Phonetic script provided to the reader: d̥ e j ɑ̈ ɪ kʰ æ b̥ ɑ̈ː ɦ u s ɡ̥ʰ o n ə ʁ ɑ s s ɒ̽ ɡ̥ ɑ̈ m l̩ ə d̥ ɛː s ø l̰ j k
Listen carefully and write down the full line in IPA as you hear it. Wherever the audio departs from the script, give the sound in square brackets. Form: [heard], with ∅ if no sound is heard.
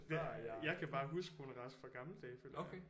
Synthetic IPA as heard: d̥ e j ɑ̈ ɪ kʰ æ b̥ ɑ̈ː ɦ u s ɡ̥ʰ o n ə ʁ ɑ s [f] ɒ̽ ɡ̥ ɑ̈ m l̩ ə d̥ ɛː [f] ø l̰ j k

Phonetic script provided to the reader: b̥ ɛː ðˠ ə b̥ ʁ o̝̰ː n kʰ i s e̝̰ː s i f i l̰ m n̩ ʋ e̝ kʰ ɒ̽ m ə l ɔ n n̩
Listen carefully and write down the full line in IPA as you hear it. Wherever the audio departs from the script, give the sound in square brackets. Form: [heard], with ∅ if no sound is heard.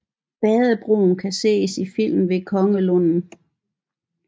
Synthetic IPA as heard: b̥ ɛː ðˠ ə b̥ ʁ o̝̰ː n kʰ [æ] s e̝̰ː s i f i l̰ m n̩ ʋ e̝ kʰ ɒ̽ [ŋ] ə l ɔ n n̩

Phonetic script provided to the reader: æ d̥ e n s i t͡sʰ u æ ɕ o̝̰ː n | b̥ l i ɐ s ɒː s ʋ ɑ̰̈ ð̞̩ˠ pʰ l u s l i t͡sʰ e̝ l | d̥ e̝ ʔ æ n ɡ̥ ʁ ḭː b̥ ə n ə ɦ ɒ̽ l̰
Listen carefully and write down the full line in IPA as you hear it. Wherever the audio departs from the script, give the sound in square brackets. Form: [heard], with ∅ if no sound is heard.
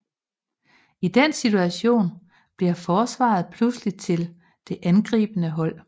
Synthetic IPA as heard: [i] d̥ e n s i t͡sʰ u æ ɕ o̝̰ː n | b̥ l i ɐ [f] ɒː s ʋ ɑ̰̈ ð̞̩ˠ pʰ l u s l i t͡sʰ e̝ l | d̥ e̝ ʔ æ n ɡ̥ ʁ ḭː b̥ ə n ə ɦ ɒ̽ l̰

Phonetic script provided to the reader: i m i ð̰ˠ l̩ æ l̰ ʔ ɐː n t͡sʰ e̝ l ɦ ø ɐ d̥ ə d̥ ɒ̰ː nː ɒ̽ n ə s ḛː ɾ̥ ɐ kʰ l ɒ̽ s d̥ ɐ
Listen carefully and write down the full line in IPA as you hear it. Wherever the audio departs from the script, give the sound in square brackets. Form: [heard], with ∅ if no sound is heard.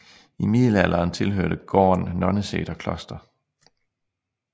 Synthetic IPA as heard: i m i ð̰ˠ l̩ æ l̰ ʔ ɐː n t͡sʰ e̝ l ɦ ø ɐ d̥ ə [ɡ̥] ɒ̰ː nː ɒ̽ n ə s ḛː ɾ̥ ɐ kʰ l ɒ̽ s d̥ ɐ

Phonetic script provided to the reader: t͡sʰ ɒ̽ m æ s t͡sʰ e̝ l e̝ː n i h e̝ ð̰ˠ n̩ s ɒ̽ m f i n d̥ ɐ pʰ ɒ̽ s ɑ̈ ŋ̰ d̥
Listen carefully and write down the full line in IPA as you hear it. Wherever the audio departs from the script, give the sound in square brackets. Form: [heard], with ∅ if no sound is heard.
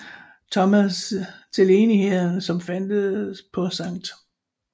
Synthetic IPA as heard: t͡sʰ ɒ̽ m æ s t͡sʰ e̝ l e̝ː n i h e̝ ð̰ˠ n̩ s ɒ̽ m f [æ] n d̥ [ə] pʰ ɒ̽ s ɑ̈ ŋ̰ d̥

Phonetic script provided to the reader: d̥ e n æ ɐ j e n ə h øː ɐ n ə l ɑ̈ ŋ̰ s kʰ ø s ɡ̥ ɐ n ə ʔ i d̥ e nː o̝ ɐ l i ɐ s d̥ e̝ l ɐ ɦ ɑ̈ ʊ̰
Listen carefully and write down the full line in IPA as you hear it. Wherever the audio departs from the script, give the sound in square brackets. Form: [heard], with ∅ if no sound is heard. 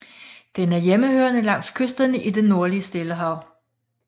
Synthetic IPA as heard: d̥ e n æ ɐ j e [m] ə h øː ɐ n ə l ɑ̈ ŋ̰ s kʰ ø s [d̥] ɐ n ə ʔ i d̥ e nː o̝ ɐ l i [ə] s d̥ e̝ l [ə] ɦ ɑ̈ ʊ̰

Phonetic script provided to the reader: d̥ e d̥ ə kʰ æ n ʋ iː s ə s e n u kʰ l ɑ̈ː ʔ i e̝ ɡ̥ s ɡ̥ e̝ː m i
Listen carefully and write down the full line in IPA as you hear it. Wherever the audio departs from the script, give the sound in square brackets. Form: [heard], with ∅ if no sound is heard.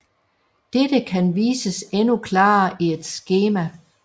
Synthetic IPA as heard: d̥ e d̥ ə kʰ æ n ʋ iː s ə s e n u kʰ l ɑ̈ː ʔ i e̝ [d̥] s ɡ̥ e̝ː m [æ]

